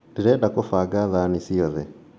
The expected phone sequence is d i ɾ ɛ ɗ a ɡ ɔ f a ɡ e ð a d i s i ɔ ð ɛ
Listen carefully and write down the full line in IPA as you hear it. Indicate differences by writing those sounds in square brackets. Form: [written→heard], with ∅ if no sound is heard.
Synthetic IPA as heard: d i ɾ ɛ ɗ a [ɡ→k] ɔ f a ɡ [e→a] ð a [d→n] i s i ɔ ð ɛ